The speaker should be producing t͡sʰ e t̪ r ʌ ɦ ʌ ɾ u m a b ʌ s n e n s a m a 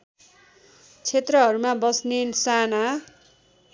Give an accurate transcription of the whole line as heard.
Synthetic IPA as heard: t͡sʰ e t̪ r ʌ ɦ ʌ ɾ u m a b ʌ s n e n s a n a